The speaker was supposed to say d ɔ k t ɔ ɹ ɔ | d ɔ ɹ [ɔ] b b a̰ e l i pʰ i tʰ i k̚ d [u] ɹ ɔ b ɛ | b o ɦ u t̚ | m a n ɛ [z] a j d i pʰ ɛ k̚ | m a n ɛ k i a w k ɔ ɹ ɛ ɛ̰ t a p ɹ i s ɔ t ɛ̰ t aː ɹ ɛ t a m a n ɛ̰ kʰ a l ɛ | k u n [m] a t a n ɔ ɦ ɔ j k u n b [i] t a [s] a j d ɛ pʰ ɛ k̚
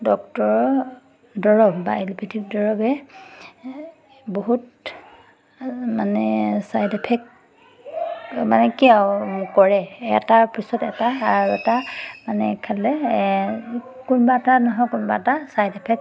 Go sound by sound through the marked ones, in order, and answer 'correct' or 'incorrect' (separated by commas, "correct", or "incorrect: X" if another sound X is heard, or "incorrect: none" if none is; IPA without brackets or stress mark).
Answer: correct, incorrect: ɔ, incorrect: s, incorrect: b, incorrect: a, correct